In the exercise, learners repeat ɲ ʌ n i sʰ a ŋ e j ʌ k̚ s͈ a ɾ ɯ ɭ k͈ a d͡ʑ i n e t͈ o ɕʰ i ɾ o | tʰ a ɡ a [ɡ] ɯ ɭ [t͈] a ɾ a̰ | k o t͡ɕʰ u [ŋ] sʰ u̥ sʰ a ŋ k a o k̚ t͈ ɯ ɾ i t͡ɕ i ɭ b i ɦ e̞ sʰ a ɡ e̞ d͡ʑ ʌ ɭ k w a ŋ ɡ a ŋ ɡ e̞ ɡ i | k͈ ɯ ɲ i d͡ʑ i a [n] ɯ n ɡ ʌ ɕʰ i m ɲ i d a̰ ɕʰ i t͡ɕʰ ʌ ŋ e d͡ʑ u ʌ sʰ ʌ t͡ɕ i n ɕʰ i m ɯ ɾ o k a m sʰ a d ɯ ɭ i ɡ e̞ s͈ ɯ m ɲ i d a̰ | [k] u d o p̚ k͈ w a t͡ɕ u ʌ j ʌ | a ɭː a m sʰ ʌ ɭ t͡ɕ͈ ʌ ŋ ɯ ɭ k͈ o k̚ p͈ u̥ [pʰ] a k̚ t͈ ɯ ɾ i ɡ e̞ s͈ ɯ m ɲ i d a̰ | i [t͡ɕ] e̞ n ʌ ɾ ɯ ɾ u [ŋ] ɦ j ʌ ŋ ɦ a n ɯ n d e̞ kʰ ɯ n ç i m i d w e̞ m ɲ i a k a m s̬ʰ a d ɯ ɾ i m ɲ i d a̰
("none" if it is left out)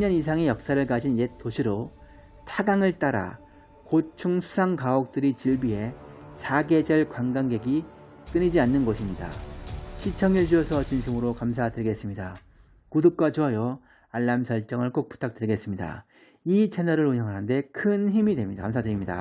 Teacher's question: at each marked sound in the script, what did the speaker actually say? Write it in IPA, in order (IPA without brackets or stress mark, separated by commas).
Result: ŋ, t͈, ŋ, nː, k, tʰ, t͡ɕʰ, ɲ